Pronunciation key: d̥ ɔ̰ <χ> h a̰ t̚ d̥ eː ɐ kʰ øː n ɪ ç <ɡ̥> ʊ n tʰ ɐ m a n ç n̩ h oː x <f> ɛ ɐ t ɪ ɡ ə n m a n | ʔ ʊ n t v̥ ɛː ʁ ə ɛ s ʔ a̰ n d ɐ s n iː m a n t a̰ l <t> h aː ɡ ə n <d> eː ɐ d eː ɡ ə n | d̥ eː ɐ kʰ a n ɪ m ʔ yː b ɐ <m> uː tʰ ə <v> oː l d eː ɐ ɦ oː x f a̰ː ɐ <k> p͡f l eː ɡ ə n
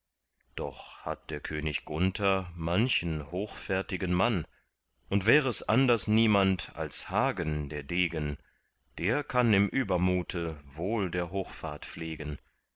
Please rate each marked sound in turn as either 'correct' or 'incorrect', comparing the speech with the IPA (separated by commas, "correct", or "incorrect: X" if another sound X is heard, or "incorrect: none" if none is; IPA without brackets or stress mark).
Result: correct, correct, correct, incorrect: s, correct, correct, correct, incorrect: t